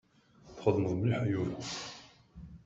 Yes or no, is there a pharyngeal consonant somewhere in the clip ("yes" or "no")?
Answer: yes